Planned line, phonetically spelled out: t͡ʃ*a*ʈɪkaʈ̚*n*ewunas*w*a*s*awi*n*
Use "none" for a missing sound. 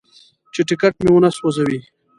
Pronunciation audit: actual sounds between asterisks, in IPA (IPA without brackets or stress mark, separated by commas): e, m, w, z, none